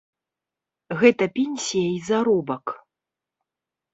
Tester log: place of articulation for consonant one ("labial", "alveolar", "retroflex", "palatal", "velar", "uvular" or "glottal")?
velar